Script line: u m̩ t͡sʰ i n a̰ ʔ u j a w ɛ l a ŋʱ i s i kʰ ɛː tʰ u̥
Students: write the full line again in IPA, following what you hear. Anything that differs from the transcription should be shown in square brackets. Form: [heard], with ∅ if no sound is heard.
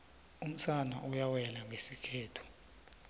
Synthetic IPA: u m̩ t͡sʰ [a] n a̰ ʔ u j a w ɛ l a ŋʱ [e] s i kʰ ɛː tʰ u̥